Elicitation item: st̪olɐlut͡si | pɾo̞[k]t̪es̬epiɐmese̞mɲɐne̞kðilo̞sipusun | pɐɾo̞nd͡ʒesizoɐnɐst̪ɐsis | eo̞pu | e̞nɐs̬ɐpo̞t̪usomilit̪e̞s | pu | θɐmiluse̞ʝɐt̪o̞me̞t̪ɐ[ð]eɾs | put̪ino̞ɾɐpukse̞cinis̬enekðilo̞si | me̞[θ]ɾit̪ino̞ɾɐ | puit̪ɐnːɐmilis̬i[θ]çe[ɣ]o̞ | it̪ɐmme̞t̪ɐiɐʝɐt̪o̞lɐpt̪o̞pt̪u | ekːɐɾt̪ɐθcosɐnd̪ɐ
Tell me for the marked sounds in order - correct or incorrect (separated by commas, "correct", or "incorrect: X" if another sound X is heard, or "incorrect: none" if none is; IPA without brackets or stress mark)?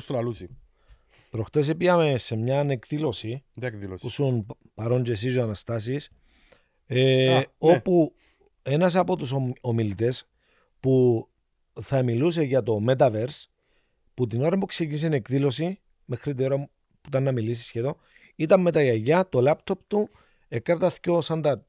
incorrect: x, incorrect: v, incorrect: x, incorrect: s, incorrect: ð